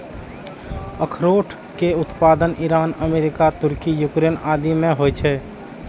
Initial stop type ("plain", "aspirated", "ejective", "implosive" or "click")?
aspirated